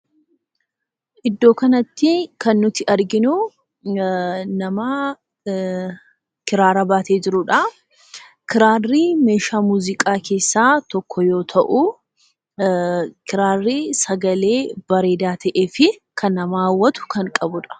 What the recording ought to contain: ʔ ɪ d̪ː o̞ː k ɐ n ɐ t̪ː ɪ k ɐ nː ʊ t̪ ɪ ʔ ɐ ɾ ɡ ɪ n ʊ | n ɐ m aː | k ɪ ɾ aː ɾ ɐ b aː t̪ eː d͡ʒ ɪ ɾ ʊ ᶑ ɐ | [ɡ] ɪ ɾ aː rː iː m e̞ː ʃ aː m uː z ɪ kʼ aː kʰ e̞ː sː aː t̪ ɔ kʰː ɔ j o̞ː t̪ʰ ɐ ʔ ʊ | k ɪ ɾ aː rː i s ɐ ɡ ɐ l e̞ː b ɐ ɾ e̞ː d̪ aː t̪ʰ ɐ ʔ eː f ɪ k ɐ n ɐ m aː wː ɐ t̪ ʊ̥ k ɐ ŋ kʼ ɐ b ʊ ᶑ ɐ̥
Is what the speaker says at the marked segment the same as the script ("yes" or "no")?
no